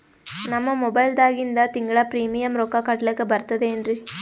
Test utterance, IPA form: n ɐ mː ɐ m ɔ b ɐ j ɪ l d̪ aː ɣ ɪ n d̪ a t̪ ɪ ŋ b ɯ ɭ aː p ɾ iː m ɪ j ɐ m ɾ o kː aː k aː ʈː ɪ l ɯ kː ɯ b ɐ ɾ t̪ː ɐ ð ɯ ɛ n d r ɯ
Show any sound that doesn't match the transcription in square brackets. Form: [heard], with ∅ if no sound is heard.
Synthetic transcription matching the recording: n ɐ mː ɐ m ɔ b ɐ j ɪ l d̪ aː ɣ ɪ n d̪ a t̪ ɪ ŋ [ɡ] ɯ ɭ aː p ɾ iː m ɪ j ɐ m ɾ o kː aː k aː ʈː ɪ l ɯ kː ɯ b ɐ ɾ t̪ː ɐ ð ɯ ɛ n d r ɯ